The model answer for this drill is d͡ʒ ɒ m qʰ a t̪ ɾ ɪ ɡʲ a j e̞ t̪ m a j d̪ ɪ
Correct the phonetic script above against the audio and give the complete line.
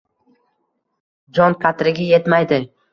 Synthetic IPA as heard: d͡ʒ ɒ n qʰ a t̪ ɾ ɪ ɡʲ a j e̞ t̪ m a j d̪ ɪ

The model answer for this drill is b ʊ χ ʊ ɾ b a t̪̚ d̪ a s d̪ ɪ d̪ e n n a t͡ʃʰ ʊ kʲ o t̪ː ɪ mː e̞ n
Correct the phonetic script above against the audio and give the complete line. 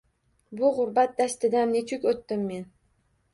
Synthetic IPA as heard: b ʊ ʁ ʊ ɾ b a t̪̚ d̪ a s t̪ ɪ d̪ a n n e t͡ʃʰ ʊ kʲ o t̪ː ɪ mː e̞ n

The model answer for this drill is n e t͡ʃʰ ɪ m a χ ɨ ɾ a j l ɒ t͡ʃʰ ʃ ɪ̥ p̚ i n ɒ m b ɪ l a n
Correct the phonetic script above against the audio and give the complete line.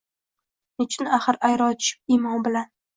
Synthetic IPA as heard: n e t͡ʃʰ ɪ n a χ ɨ ɾ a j ɾ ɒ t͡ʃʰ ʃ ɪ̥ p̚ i m ɒ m b ɪ l a n

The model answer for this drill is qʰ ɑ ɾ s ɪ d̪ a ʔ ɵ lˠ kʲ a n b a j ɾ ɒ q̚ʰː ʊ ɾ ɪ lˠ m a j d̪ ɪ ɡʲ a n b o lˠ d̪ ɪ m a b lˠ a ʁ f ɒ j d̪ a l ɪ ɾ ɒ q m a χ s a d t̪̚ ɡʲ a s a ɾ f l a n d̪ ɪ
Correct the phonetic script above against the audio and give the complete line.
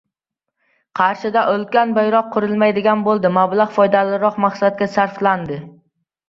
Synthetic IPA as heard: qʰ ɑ ɾ ʃ ɪ d̪ a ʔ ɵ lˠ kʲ a n b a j ɾ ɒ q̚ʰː ʊ ɾ ɪ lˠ m a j d̪ ɪ ɡʲ a n b o lˠ d̪ ɪ m a b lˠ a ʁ f ɒ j d̪ a l ɪ ɾ ɒ q m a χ s a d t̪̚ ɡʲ a s a ɾ f l a n d̪ ɪ

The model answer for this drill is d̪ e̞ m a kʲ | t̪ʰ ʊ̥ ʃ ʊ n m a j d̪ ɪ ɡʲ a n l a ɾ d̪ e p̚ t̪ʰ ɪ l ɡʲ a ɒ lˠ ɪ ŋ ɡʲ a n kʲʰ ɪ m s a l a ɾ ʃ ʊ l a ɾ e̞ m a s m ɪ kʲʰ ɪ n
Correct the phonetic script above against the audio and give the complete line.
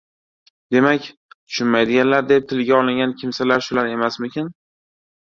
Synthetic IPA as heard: d̪ e̞ m a kʲ | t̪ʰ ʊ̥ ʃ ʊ n m a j d̪ ɪ ɡʲ a n l a ɾ d̪ e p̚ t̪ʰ ɪ l ɡʲ a ɒ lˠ ɪ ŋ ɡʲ a n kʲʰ ɪ m s a l a ɾ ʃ ʊ l a ɾ e̞ m a s m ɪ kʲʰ ɪ n

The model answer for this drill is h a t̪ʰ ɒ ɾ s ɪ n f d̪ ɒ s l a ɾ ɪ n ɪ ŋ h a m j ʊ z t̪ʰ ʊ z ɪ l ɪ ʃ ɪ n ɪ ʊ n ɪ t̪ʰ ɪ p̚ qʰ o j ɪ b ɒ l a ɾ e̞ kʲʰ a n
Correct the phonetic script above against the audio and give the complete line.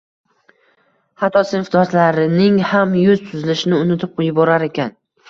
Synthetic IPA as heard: h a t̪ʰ ɒ s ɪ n f d̪ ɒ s l a ɾ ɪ n ɪ ŋ h a m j ʊ z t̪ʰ ʊ z ɪ l ɪ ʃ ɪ n ɪ ʊ n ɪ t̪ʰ ɪ p̚ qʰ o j ɪ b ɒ ɾ a ɾ e̞ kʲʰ a n

